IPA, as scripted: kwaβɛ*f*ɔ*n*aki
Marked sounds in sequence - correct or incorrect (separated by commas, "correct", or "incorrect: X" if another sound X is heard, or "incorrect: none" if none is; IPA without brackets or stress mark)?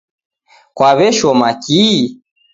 incorrect: ʃ, incorrect: m